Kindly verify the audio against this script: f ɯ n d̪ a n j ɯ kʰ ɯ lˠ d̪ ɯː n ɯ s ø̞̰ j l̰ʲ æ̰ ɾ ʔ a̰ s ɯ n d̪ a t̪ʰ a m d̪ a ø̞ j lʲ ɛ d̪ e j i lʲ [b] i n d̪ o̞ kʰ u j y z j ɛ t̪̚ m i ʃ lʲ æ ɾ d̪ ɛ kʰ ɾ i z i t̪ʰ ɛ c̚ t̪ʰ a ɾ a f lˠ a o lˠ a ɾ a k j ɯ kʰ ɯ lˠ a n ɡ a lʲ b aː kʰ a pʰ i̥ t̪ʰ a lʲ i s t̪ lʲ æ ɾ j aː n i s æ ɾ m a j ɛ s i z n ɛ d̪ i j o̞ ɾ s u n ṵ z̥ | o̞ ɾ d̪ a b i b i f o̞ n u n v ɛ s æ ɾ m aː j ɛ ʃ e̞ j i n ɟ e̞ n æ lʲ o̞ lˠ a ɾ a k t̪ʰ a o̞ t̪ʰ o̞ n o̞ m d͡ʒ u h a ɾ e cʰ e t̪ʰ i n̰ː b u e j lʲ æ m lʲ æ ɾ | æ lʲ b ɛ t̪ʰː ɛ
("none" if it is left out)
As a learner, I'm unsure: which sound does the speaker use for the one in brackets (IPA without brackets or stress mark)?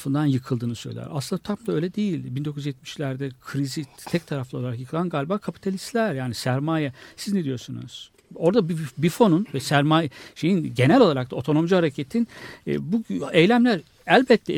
b